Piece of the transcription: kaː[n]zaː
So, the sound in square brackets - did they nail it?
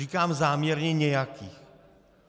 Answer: no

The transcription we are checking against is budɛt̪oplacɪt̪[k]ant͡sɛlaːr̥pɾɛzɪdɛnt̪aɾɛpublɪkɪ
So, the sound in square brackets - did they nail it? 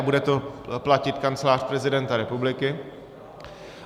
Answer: yes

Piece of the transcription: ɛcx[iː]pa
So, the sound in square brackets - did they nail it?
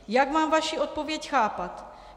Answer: no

